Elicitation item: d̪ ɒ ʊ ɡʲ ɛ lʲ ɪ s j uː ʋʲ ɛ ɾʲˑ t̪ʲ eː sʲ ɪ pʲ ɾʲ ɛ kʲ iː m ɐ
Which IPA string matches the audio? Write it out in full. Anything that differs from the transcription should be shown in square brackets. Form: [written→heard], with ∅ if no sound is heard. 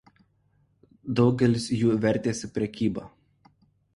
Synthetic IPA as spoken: d̪ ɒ ʊ ɡʲ ɛ lʲ ɪ s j uː ʋʲ ɛ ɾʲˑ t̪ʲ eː sʲ ɪ pʲ ɾʲ ɛ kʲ iː [m→b] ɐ